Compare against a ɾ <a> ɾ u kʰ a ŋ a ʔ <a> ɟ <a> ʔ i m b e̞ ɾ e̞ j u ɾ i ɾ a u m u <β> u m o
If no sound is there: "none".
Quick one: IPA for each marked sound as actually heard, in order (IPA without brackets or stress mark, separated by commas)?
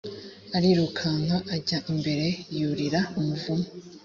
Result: i, a, a, v